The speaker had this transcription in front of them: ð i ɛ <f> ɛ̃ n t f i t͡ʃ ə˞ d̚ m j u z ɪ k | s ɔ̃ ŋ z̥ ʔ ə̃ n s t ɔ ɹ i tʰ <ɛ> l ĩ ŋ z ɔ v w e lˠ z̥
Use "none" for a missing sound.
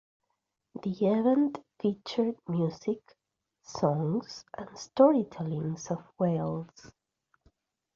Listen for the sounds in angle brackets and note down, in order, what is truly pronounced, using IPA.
v, ɛ

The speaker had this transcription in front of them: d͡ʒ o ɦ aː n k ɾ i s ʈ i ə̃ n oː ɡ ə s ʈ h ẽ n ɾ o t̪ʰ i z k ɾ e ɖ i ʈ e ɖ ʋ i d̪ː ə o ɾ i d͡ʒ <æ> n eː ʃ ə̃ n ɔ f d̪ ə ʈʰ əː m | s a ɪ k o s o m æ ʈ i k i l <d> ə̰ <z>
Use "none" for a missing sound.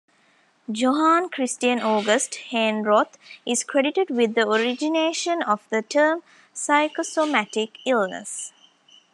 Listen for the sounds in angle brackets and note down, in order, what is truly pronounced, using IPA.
i, n, s

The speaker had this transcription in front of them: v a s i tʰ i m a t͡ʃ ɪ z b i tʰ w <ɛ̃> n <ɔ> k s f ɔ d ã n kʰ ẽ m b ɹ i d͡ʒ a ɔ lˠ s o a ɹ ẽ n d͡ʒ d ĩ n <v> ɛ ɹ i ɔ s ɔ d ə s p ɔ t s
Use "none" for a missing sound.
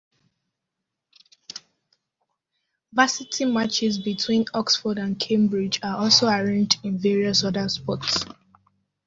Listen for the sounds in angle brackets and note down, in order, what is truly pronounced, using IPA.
ĩ, ɔ, v

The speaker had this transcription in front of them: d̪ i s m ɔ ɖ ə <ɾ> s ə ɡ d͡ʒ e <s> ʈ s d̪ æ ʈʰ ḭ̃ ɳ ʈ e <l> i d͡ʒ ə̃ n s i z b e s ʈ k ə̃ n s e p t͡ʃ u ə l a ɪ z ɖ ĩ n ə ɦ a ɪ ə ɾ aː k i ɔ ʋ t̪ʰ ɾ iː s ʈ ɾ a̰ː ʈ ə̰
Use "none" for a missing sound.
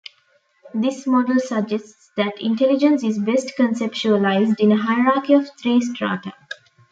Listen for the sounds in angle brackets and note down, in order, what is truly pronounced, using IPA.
l, s, l

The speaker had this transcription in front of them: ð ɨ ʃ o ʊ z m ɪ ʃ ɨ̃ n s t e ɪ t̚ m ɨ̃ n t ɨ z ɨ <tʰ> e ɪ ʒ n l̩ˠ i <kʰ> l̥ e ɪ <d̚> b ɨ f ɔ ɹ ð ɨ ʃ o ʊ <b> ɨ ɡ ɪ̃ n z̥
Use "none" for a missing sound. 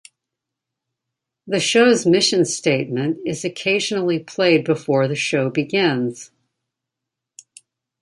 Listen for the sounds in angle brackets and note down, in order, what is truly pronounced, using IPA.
kʰ, pʰ, d̚, b

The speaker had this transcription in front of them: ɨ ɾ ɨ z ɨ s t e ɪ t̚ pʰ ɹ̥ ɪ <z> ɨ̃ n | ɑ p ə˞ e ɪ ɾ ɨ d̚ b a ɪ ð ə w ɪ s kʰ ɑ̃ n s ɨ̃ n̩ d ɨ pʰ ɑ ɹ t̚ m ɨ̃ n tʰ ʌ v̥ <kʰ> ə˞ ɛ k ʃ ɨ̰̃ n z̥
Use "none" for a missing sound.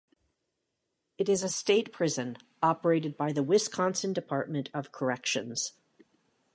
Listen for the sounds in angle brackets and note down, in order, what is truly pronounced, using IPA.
z, kʰ

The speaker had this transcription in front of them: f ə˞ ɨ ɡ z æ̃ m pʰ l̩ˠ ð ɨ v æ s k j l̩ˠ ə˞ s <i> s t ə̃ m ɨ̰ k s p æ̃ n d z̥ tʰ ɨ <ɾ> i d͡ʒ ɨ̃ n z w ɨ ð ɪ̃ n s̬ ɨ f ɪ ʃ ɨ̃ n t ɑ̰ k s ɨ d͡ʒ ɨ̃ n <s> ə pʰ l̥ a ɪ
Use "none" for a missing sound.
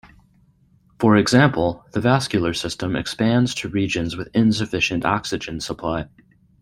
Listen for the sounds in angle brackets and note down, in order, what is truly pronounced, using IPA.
ɪ, ɹ, s

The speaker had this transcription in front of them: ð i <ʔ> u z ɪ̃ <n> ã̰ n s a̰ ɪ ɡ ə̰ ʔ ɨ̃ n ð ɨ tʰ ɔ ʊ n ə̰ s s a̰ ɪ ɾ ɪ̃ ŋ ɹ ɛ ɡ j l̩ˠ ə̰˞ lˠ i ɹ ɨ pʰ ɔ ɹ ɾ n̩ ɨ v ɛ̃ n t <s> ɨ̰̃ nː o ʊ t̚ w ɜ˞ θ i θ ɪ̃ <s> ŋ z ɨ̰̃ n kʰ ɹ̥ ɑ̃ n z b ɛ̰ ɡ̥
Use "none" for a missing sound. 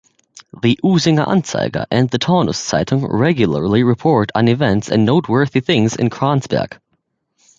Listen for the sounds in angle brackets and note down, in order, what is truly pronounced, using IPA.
ʔ, ŋ, s, none

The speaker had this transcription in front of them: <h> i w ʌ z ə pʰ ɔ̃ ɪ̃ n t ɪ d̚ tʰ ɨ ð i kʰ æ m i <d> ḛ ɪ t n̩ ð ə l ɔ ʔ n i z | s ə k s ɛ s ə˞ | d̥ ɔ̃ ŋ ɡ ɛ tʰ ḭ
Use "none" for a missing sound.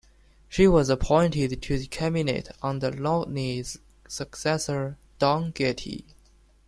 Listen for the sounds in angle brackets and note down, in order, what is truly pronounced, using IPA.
ʃ, n

